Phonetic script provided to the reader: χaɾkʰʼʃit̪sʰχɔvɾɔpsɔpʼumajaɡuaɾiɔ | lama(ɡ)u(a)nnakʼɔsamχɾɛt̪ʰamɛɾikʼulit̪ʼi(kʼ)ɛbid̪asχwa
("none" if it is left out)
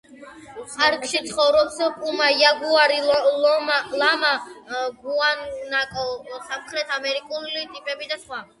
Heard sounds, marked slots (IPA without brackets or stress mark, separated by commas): ɡ, a, pʼ